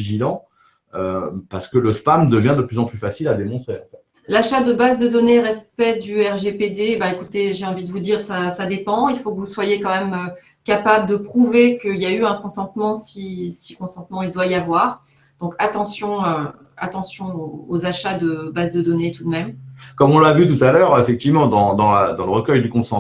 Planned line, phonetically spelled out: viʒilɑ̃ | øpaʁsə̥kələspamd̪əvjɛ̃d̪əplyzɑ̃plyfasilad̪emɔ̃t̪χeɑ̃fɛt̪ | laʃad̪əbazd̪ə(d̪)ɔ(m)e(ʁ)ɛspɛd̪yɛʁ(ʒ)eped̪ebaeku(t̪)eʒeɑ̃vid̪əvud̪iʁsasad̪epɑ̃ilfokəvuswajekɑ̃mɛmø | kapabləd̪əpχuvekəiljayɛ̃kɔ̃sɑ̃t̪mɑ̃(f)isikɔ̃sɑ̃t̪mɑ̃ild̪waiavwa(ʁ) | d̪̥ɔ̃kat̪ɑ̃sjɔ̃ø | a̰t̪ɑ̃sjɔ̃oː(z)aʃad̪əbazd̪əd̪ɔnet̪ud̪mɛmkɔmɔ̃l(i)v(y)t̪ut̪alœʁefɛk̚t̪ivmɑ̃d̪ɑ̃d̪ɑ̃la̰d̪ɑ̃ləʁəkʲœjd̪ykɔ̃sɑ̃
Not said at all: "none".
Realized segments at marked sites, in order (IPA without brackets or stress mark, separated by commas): d̪, n, ʁ, ʒ, t̪, s, ʁ, z, a, y